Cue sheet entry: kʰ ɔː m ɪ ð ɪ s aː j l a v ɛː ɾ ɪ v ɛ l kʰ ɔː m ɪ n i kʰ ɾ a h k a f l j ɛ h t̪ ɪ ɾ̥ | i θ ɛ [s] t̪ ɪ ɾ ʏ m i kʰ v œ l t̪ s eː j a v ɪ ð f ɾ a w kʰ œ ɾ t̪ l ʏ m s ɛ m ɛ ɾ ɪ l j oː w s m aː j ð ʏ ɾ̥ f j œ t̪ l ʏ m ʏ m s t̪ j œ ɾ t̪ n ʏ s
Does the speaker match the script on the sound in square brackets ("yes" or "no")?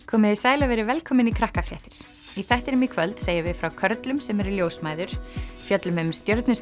no